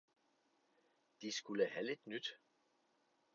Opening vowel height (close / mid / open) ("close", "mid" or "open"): close